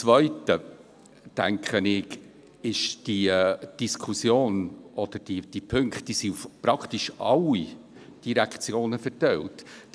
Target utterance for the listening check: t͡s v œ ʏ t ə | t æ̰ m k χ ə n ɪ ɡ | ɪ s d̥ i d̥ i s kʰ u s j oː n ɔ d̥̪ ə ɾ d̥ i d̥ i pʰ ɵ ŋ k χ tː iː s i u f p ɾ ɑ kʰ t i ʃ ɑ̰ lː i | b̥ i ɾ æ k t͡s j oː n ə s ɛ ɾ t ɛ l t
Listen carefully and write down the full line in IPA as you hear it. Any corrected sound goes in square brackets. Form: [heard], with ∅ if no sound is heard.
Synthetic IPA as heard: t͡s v œ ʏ t ə | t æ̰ [ŋ] k χ ə n ɪ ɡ | ɪ [ʃ] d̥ i d̥ i s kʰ u s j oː n ɔ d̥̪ ə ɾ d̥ i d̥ i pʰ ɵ ŋ k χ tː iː s i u f p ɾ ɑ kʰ t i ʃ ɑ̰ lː i | [d̥] i ɾ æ k t͡s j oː n ə [f] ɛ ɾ t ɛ l t